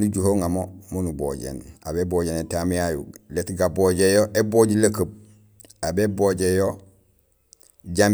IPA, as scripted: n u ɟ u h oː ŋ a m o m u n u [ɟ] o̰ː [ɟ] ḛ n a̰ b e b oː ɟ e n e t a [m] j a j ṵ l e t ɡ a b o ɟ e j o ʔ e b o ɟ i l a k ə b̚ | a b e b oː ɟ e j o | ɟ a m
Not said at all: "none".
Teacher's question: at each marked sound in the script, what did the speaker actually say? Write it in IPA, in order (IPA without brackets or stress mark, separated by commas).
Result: b, ɟ, m